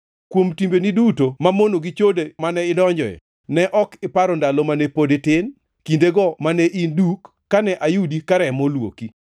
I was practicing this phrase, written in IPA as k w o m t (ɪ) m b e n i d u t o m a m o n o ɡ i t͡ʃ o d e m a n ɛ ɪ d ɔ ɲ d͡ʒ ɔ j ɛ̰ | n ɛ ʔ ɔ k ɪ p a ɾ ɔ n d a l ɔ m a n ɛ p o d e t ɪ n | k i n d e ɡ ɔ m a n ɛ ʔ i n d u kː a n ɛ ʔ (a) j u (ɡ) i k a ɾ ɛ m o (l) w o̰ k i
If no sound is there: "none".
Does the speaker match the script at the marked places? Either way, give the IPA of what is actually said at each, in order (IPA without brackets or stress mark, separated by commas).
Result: i, a, d, l